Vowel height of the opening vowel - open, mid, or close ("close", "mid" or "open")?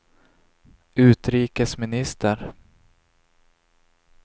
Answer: close